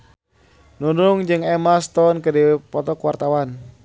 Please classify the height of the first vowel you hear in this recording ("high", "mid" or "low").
high